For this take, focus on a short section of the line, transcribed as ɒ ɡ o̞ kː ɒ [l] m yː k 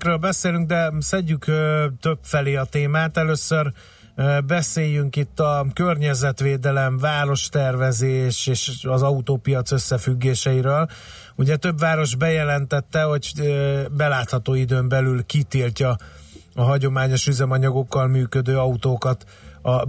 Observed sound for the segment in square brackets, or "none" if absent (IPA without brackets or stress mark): l